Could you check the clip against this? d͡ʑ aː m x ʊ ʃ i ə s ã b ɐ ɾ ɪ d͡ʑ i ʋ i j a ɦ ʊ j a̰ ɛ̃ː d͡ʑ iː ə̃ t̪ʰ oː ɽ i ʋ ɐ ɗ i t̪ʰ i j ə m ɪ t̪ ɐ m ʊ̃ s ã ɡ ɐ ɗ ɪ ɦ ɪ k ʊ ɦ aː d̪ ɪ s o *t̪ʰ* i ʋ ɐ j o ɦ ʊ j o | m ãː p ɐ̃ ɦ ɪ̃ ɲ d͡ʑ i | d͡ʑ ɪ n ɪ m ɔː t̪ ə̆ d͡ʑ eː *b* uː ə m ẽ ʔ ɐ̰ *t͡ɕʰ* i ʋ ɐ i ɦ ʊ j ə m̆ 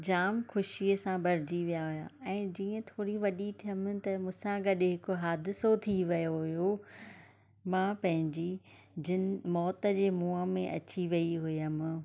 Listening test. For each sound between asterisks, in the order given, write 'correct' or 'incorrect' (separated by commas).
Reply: correct, incorrect, incorrect